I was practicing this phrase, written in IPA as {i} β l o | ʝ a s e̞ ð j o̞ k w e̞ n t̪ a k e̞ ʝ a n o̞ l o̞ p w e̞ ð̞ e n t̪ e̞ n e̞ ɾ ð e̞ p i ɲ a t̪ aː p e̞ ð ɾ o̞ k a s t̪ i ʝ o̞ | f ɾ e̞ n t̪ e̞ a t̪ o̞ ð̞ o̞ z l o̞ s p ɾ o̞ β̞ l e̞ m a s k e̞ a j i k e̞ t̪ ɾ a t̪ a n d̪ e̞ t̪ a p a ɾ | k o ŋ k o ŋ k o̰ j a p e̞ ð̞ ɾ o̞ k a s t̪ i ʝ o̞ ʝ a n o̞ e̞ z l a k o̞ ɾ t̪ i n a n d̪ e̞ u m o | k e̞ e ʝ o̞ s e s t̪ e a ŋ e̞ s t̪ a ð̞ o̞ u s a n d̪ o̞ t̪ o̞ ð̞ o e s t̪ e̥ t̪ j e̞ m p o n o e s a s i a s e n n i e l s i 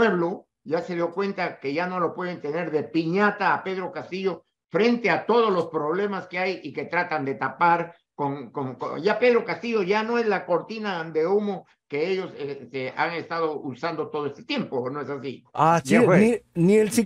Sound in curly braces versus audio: incorrect: e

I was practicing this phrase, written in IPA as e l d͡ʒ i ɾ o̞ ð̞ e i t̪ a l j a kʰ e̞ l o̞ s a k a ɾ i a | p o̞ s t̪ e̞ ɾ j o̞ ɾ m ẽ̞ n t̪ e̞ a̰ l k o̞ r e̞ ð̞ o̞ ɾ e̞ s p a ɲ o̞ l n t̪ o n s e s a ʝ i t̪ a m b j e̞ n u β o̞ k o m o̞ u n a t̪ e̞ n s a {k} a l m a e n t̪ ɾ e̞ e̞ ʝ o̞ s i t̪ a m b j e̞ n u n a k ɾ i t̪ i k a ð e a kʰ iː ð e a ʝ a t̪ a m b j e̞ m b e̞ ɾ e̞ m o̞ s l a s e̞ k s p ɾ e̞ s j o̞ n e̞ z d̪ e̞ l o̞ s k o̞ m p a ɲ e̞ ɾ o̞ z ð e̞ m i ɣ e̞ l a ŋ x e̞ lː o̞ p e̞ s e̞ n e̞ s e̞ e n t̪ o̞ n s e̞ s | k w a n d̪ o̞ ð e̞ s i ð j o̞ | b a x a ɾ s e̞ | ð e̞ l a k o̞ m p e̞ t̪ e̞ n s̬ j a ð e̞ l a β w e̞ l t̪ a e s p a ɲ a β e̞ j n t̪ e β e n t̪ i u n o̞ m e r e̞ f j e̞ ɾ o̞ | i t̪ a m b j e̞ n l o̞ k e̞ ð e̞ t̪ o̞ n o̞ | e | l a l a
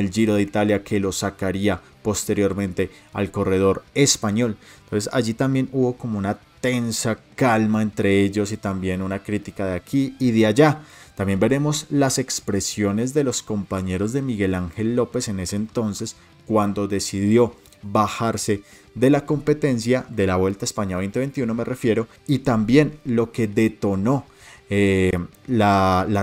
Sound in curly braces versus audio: correct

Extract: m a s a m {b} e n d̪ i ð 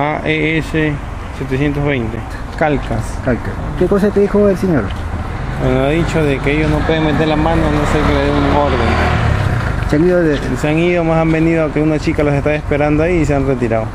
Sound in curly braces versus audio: correct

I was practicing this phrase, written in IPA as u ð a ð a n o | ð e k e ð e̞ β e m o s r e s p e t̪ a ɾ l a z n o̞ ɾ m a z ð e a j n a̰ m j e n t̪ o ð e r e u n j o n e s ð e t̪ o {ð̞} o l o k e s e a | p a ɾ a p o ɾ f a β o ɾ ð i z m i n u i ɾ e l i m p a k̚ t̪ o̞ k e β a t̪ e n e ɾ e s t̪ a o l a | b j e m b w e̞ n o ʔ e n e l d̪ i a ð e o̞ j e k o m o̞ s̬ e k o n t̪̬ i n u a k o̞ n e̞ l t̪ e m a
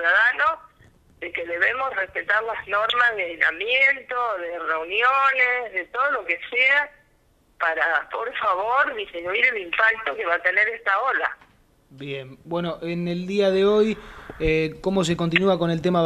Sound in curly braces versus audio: correct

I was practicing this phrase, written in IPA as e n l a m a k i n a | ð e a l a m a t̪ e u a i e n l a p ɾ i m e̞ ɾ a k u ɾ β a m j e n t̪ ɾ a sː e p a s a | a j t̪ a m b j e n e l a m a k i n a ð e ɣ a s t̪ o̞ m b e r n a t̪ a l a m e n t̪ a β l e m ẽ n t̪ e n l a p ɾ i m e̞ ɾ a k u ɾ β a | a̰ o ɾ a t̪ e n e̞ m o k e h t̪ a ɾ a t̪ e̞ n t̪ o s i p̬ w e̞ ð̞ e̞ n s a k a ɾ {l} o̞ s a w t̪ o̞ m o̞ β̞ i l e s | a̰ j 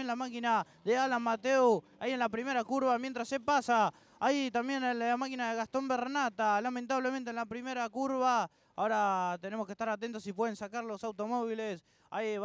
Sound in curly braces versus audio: correct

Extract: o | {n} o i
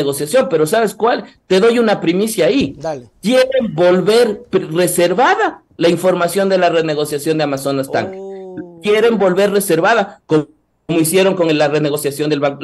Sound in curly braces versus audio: incorrect: m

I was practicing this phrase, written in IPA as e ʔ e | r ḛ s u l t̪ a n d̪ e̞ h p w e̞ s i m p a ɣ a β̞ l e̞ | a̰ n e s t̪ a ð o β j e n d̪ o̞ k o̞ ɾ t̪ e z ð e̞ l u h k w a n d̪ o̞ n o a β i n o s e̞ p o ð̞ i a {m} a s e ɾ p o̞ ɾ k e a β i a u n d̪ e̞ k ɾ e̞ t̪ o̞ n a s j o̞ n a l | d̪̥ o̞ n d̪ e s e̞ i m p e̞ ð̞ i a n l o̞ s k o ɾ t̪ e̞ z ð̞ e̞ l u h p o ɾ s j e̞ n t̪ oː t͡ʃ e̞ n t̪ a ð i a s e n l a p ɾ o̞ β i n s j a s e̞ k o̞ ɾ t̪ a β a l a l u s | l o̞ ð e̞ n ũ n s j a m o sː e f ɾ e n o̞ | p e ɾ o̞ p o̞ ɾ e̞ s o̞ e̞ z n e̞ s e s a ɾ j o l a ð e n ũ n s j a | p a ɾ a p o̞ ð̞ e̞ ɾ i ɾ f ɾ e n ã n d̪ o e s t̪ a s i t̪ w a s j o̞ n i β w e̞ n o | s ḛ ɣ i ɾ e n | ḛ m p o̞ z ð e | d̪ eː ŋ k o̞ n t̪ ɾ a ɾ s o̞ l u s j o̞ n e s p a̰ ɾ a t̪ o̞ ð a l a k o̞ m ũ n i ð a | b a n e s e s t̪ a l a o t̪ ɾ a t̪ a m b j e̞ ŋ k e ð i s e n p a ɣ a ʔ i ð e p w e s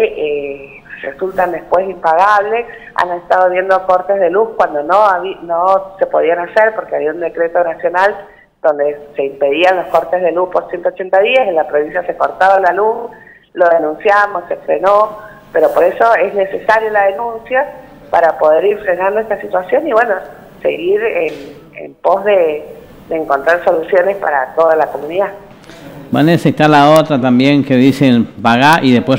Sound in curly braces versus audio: incorrect: n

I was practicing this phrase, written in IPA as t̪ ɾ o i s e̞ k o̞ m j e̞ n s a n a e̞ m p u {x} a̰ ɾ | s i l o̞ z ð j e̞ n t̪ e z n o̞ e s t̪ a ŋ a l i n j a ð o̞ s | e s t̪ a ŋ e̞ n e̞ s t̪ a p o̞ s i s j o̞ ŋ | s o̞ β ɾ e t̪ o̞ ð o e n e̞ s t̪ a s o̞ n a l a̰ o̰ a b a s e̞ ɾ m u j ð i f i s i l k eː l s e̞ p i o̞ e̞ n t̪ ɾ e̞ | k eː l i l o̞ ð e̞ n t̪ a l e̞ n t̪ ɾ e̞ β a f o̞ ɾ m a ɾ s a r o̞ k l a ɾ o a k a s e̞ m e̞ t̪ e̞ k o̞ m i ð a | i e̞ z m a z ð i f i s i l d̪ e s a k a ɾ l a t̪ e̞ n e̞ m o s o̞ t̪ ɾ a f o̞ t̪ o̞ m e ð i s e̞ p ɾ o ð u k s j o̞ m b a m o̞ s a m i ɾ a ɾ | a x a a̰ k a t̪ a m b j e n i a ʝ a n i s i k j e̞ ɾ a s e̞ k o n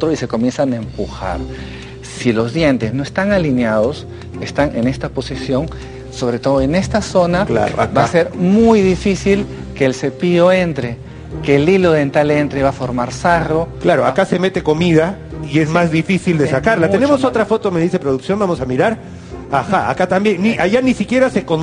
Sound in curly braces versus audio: correct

